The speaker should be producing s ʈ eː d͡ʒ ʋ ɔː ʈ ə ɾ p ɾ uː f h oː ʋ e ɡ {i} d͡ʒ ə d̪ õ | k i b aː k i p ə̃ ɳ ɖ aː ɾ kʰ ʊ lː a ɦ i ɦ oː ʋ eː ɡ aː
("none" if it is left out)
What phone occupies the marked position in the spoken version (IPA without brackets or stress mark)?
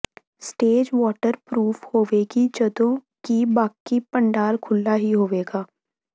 i